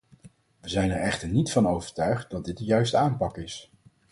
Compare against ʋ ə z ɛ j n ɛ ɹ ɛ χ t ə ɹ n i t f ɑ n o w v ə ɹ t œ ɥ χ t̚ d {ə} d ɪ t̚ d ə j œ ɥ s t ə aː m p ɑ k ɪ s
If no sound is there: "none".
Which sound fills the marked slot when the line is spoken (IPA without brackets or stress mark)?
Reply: ɑ